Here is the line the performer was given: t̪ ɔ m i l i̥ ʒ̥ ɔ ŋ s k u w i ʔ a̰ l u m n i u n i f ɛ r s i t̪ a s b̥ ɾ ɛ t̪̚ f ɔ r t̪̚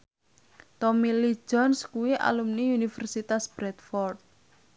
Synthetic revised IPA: t̪ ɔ m i l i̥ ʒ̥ ɔ n s k u w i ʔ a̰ l u m n i u n i f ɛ r s i t̪ a s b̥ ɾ ɛ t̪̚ f ɔ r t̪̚